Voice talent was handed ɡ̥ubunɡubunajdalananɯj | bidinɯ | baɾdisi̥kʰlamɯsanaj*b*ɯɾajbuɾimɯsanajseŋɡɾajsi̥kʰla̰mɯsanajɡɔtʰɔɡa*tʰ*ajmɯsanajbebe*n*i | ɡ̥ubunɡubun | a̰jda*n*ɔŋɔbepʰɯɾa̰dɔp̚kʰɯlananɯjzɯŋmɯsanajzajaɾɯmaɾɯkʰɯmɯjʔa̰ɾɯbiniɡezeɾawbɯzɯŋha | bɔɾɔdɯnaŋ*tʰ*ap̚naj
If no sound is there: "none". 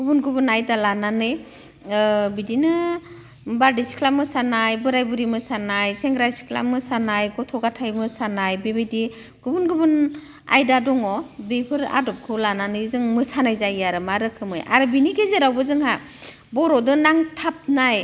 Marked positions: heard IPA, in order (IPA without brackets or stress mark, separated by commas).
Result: b, tʰ, d, d, tʰ